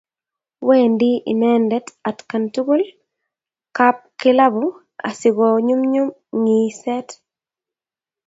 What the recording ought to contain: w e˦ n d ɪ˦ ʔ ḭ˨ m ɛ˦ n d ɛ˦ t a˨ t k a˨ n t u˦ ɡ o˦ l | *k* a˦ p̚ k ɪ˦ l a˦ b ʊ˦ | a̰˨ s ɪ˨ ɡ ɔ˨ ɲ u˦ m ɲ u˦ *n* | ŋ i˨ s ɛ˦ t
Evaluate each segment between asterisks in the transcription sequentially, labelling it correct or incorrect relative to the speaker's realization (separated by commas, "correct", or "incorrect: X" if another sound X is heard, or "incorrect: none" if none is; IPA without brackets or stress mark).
correct, incorrect: m